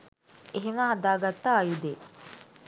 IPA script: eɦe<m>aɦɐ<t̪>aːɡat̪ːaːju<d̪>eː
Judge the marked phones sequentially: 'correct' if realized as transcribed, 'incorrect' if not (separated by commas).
correct, incorrect, correct